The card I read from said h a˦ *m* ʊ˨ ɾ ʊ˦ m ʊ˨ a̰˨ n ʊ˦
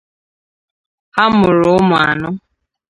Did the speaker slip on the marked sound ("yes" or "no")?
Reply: no